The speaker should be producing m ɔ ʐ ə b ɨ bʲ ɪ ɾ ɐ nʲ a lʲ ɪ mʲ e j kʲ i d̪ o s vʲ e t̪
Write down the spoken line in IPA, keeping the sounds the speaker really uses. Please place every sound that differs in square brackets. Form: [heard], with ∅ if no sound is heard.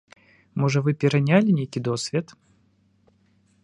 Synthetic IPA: m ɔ ʐ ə [v] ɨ [pʲ] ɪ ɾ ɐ nʲ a lʲ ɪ [nʲ] e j kʲ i d̪ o s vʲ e t̪